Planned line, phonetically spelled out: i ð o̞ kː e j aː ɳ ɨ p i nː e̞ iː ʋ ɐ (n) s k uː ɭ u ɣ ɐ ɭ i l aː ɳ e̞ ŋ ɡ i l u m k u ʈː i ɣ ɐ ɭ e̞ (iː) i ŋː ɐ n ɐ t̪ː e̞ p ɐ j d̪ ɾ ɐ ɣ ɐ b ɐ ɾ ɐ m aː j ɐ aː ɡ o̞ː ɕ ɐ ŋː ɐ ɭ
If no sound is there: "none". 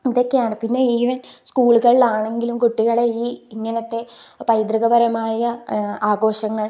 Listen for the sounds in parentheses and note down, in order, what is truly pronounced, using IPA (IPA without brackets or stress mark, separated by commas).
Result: n, iː